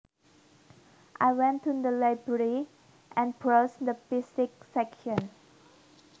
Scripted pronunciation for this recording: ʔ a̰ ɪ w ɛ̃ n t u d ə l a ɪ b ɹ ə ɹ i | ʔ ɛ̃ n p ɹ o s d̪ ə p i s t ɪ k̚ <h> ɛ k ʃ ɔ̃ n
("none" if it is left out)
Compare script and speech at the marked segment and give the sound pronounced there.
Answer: s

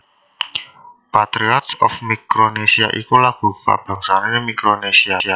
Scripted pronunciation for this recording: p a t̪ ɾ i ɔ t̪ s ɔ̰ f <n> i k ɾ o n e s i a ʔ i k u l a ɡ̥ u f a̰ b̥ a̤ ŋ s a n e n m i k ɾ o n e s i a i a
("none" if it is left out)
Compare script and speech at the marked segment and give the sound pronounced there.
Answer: m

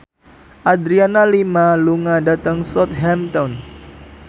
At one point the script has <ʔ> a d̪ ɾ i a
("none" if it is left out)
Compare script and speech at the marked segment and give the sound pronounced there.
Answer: ʔ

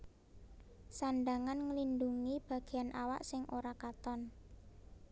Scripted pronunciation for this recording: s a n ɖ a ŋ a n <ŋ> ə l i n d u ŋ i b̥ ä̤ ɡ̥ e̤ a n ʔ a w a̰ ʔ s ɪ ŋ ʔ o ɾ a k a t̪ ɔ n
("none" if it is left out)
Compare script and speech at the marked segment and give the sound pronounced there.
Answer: ŋ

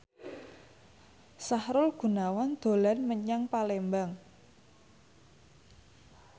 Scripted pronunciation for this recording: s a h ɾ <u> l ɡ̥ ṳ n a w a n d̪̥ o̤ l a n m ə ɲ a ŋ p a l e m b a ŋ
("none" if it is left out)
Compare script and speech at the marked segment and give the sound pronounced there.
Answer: ʊ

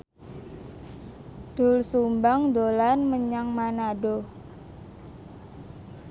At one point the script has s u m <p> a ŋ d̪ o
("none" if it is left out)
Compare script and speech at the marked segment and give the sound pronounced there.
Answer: b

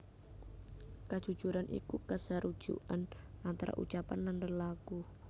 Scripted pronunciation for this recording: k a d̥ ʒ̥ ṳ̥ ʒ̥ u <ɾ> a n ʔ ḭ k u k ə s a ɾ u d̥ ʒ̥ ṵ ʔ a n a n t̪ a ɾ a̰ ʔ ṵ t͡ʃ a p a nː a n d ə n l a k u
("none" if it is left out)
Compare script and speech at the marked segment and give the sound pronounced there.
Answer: ɾ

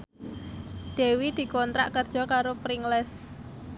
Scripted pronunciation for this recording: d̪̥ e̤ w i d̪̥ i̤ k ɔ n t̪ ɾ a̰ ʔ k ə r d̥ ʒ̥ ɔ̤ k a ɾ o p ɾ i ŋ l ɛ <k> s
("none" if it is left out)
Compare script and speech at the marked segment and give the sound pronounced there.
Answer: none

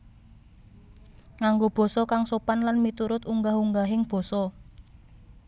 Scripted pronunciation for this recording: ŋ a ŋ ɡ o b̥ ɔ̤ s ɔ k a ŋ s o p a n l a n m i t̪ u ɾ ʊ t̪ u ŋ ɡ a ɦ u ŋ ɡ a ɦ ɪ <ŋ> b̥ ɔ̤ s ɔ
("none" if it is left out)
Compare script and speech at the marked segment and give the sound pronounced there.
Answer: ŋ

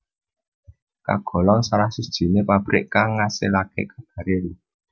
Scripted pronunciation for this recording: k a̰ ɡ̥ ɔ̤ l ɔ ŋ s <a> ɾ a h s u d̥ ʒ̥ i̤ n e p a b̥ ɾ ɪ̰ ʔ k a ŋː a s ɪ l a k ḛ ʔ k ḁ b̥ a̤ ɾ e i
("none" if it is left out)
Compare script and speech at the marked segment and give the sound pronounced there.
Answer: a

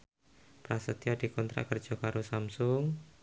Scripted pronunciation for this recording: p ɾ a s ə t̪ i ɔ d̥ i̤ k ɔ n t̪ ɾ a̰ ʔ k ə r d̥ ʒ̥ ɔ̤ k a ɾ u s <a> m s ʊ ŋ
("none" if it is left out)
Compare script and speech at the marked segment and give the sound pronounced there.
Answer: a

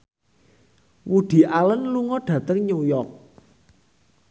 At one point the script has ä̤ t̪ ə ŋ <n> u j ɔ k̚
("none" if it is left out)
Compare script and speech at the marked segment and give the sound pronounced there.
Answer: ɲ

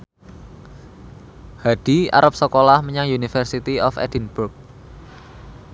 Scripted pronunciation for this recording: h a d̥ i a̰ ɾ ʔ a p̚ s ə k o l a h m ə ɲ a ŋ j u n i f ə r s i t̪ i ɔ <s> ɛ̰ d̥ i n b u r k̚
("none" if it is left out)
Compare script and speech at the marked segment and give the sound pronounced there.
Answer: f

